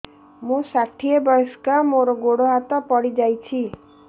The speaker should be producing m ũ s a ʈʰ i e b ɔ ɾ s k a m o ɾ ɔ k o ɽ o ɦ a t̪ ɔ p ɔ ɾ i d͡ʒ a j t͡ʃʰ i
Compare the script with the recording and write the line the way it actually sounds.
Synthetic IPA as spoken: m ũ s a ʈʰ i e b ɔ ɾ s k a m o ɾ ɔ ɡ o ɽ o ɦ a t̪ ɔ p ɔ ɽ i d͡ʒ a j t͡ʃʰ i